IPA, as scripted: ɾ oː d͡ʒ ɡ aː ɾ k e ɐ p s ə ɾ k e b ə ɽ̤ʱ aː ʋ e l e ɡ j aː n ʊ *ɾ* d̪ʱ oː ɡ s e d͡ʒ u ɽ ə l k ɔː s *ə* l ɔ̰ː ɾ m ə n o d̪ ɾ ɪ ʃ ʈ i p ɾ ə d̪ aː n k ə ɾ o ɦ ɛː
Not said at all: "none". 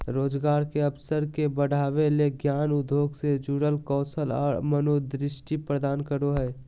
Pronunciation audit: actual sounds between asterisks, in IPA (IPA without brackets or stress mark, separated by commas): none, ə